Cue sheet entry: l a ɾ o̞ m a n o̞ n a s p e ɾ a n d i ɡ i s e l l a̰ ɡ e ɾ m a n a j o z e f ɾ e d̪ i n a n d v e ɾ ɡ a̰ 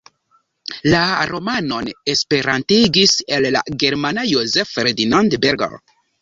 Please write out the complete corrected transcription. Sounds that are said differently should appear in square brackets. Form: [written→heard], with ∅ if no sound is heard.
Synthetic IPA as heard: l a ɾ o̞ m a n o̞ n [a→e] s p e ɾ a n [d→t] i ɡ i s e l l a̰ ɡ e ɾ m a n a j o z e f ɾ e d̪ i n a n d [v→b] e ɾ ɡ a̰